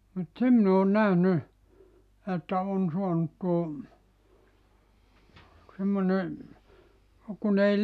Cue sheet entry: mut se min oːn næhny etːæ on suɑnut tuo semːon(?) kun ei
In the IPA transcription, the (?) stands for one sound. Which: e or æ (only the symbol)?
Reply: e